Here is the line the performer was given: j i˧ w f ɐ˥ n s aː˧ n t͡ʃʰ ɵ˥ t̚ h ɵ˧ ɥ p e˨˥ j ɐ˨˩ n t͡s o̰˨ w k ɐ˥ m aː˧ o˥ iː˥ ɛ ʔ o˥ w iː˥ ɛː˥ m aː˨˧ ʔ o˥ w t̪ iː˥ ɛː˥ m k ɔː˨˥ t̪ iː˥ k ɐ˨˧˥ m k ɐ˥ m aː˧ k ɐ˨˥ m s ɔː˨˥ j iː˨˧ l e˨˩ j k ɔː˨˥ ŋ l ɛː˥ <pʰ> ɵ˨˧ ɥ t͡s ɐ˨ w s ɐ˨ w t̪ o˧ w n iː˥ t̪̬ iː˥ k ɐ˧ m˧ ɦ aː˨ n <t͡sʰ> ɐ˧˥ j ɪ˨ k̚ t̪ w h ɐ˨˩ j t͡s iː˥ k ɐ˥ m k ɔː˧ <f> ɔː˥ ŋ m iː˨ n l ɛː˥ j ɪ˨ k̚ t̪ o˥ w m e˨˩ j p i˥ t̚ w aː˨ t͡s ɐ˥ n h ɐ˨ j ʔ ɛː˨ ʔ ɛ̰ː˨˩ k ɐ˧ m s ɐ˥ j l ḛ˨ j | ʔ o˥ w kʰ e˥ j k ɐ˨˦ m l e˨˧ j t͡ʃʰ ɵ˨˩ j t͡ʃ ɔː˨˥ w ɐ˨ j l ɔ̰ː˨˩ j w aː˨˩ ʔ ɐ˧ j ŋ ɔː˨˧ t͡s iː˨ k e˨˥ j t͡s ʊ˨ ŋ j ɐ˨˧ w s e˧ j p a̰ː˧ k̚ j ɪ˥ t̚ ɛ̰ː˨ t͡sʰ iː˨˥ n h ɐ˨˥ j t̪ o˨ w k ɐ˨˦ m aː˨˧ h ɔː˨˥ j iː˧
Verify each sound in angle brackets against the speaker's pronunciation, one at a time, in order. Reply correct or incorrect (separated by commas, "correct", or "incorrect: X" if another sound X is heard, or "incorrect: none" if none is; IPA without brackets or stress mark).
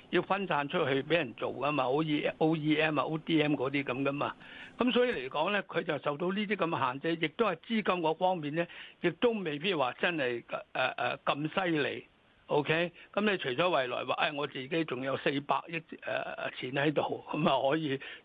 incorrect: kʰ, incorrect: t͡s, correct